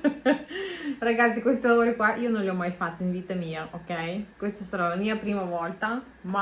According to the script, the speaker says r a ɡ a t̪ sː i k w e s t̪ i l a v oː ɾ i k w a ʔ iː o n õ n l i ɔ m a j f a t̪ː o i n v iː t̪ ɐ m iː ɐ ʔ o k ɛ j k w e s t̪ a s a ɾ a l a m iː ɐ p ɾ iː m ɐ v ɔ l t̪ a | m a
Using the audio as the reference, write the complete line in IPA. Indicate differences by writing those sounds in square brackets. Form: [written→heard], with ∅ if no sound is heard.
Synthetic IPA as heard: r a ɡ a t̪ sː i k w e s t̪ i l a v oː ɾ i k w a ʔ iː o n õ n l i ɔ m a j f a t̪ː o i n v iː t̪ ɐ m iː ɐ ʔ o k ɛ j k w e s t̪ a s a ɾ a l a m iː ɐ p ɾ iː m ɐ v ɔ l t̪ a | m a